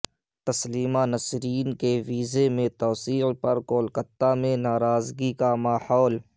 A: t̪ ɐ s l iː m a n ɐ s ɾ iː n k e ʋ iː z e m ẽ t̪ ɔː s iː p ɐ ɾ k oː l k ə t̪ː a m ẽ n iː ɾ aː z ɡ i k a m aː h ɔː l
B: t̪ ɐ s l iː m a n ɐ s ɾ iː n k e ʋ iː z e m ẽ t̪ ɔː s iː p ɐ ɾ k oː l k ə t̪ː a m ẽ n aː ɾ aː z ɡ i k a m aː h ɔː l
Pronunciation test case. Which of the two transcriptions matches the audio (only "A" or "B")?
B